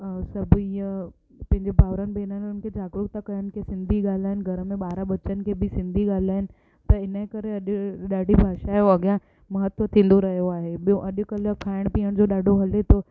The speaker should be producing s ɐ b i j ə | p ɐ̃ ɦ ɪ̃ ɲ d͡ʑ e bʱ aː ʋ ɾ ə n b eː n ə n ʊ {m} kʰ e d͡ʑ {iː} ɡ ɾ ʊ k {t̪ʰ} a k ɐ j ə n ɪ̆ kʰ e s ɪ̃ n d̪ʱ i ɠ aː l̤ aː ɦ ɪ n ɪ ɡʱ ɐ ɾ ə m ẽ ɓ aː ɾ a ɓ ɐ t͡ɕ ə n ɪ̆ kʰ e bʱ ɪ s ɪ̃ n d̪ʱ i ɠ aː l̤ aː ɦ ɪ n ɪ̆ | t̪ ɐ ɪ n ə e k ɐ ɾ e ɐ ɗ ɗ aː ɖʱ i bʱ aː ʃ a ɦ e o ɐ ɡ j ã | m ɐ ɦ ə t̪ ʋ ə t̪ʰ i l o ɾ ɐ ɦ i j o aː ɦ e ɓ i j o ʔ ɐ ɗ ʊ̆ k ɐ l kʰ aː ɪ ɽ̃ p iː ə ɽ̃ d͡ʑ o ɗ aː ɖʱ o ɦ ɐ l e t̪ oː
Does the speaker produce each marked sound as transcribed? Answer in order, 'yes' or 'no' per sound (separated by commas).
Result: no, no, no